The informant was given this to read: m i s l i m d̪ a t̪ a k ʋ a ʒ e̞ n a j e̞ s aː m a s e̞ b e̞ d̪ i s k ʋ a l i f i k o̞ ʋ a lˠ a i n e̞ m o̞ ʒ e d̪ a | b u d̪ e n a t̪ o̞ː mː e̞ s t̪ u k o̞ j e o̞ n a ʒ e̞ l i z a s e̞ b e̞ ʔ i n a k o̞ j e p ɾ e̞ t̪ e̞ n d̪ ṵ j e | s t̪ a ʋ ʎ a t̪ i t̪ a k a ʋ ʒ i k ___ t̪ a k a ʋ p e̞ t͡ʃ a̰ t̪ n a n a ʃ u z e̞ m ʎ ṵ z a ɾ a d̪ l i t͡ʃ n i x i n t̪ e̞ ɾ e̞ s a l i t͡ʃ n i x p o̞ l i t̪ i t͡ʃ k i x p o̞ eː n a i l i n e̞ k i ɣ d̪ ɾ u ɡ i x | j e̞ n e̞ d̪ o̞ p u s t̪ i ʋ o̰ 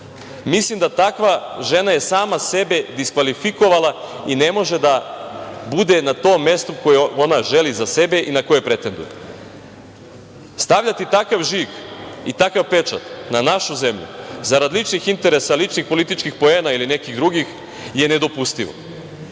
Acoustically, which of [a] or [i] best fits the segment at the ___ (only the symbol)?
i